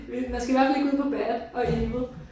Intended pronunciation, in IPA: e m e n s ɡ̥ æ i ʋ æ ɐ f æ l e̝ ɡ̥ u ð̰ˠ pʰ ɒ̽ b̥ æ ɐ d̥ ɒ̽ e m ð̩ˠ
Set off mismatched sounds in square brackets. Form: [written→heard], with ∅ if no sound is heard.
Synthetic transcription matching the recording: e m [e→æ] n s ɡ̥ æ i ʋ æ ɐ f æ l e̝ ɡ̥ u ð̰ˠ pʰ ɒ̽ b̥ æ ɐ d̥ ɒ̽ e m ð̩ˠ